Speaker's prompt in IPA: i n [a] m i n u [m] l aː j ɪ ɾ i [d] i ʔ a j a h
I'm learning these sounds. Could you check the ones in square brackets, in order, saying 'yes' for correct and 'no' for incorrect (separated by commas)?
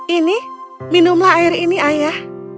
no, yes, no